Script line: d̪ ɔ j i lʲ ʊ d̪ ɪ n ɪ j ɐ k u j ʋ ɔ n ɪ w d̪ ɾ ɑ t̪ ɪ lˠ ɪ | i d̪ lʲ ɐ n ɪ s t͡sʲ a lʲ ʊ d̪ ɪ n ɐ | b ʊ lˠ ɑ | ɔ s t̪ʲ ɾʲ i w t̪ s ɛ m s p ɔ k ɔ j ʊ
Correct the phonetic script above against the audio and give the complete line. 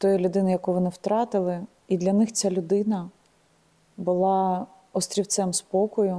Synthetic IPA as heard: t̪ ɔ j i lʲ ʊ d̪ ɪ n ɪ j ɐ k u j ʋ ɔ n ɪ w t̪ ɾ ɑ t̪ ɪ lˠ ɪ | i d̪ lʲ ɐ n ɪ x t͡sʲ a lʲ ʊ d̪ ɪ n ɐ | b ʊ lˠ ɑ | ɔ s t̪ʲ ɾʲ i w t̪ s ɛ m s p ɔ k ɔ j ʊ